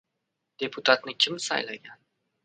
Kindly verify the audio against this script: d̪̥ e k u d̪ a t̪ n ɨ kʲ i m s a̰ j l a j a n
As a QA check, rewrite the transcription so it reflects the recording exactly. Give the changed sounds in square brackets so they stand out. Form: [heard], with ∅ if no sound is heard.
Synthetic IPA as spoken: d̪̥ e [p] u [t̪] a t̪ n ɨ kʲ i m s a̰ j l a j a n